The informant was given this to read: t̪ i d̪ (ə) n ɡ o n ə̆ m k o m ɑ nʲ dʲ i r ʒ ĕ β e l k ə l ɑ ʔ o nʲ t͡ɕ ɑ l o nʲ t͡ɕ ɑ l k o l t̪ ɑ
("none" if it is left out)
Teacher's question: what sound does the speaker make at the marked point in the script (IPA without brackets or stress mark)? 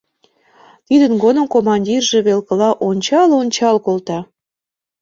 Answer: ə